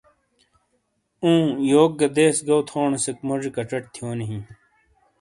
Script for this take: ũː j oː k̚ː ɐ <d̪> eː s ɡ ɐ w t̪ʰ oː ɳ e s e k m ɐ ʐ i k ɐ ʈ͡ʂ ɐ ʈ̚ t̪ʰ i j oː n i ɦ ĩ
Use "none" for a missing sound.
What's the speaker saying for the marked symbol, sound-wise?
d̪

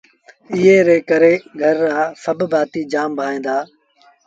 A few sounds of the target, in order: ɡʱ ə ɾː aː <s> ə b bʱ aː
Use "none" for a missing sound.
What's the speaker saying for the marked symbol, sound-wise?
s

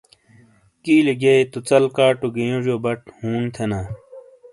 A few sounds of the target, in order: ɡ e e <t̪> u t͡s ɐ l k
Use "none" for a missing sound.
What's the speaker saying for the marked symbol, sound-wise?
t̪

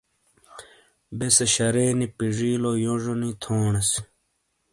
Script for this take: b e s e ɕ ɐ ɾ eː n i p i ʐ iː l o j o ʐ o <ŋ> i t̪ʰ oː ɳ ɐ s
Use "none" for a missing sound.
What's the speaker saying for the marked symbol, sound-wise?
n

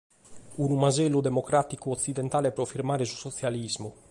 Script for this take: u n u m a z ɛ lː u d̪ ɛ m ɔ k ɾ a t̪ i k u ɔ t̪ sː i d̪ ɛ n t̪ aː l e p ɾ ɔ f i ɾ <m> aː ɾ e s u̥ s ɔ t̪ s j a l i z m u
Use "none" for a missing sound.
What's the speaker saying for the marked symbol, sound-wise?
m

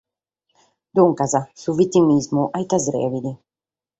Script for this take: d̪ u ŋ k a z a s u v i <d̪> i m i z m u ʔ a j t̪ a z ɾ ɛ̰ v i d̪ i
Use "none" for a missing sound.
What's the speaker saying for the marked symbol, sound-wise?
t̪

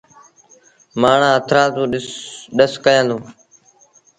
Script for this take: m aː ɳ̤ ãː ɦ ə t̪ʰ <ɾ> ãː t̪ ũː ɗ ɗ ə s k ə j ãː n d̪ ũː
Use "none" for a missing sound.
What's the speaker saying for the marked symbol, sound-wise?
ɾ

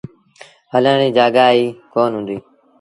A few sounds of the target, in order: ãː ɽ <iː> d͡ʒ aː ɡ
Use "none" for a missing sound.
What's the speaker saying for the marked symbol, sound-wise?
iː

